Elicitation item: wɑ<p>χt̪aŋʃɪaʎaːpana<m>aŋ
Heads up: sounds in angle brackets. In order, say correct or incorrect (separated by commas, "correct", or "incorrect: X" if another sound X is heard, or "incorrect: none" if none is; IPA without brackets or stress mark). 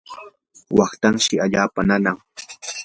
incorrect: none, incorrect: n